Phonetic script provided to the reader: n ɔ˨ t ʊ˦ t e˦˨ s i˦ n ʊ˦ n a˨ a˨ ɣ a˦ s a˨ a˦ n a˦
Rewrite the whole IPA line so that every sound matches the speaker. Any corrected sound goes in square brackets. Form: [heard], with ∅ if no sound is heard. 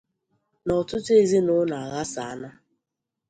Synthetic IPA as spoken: n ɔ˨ t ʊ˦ t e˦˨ [z] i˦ n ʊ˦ n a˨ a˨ ɣ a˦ s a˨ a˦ n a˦